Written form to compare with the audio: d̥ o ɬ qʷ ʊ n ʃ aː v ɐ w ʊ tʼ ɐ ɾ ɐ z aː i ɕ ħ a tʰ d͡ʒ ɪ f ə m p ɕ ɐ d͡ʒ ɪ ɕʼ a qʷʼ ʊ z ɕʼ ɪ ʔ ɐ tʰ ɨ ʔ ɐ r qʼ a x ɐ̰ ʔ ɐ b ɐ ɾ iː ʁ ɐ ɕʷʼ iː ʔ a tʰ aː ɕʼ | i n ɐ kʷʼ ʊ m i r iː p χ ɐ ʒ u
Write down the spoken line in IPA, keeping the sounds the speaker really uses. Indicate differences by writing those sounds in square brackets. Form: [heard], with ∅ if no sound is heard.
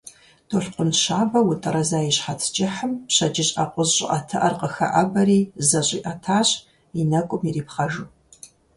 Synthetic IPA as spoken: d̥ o ɬ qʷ ʊ n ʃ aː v ɐ w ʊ tʼ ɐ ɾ ɐ z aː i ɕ ħ a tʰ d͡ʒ ɪ [ħ] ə m p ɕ ɐ d͡ʒ ɪ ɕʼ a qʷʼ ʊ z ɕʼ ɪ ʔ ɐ tʰ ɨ ʔ ɐ r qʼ [ə] x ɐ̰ ʔ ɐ b ɐ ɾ iː [z] ɐ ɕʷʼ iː ʔ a tʰ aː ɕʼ | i n ɐ kʷʼ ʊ m i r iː p χ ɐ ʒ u